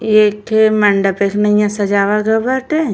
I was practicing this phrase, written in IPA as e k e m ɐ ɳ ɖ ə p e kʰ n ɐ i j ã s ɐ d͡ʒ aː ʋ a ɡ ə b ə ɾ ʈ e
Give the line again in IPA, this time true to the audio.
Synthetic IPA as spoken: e k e m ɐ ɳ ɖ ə p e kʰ n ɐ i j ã s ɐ d͡ʒ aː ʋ a ɡ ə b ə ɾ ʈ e